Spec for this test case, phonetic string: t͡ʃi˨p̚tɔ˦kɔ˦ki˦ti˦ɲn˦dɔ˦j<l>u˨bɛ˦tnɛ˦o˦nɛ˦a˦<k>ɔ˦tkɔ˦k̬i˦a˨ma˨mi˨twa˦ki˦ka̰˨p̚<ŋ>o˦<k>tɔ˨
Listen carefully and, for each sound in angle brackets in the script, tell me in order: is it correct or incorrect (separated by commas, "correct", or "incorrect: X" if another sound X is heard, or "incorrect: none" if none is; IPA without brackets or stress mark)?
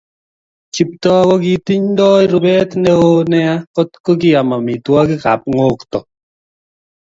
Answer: incorrect: ɾ, correct, correct, correct